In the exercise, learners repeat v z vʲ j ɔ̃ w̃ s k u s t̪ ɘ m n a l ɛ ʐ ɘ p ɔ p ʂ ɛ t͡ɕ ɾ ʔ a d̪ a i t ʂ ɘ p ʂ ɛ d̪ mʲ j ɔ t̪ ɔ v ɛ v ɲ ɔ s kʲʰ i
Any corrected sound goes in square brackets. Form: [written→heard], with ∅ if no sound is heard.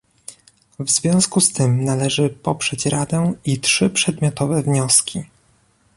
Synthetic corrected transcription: v z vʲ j ɔ̃ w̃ s k u s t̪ ɘ m n a l ɛ ʐ ɘ p ɔ p ʂ ɛ t͡ɕ ɾ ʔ a d̪ [a→ɛ] i t ʂ ɘ p ʂ ɛ d̪ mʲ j ɔ t̪ ɔ v ɛ v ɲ ɔ s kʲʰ i